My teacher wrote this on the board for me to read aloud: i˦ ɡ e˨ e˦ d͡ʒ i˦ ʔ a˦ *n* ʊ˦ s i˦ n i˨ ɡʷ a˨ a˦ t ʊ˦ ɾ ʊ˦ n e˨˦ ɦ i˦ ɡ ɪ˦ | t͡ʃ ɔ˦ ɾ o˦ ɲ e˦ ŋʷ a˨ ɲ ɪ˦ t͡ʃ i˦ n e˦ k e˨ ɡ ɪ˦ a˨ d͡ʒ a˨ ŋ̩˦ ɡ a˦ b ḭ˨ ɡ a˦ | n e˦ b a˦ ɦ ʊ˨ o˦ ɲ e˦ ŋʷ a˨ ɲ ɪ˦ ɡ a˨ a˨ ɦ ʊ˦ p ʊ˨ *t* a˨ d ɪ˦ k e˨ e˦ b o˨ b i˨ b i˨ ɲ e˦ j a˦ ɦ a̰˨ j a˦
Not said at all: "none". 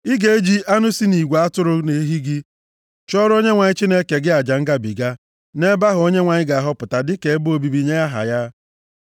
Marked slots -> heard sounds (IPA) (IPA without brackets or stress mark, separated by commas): n, t